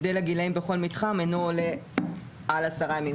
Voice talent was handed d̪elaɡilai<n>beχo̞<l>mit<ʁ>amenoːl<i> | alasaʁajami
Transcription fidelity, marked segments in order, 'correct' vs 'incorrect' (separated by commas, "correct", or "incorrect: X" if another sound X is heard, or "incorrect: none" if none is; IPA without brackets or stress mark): incorrect: m, correct, incorrect: χ, incorrect: e